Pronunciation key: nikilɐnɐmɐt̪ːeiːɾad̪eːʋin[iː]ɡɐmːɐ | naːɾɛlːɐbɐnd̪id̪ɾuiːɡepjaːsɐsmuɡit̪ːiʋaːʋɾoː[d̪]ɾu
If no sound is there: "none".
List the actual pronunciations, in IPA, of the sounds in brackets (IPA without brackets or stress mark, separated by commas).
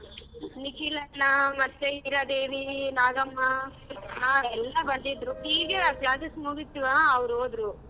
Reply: aː, d̪